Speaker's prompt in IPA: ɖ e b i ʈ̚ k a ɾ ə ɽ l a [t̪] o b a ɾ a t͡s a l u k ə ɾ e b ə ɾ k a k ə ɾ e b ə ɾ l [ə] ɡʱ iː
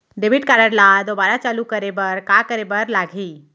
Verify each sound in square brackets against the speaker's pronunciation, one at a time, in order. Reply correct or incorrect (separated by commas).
incorrect, incorrect